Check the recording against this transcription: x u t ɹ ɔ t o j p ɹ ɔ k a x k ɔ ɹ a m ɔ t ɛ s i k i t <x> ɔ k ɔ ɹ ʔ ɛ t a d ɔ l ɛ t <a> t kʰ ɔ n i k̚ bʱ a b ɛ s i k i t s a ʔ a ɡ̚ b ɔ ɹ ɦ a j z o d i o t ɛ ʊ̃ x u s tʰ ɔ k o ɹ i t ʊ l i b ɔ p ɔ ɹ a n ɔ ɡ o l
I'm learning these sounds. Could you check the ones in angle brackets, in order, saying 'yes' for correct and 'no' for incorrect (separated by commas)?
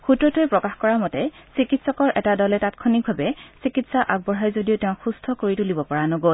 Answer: no, yes